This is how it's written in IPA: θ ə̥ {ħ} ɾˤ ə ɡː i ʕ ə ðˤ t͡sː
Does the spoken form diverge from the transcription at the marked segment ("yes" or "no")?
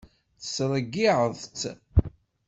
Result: yes